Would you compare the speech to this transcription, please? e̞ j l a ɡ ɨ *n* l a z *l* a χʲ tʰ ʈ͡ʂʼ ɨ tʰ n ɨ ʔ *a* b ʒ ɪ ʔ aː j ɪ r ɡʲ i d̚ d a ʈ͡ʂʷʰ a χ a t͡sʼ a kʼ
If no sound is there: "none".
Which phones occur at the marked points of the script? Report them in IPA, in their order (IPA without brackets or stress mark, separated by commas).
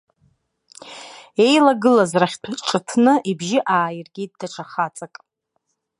none, r, i